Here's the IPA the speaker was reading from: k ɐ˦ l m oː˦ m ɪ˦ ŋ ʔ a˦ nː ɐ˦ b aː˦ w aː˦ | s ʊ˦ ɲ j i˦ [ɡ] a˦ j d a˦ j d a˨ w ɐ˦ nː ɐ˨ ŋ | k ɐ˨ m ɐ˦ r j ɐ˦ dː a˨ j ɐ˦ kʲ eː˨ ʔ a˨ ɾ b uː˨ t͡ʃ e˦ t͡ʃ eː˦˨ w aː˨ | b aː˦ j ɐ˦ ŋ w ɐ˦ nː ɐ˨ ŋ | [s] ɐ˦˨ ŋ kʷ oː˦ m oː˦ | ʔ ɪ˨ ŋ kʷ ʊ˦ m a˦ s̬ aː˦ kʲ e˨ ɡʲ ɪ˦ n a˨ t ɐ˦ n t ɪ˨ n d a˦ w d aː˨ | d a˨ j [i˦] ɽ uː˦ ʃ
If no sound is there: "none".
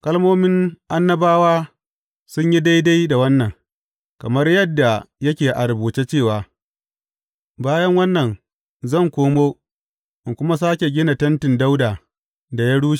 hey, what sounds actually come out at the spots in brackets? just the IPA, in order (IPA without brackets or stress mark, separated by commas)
d, z, a˦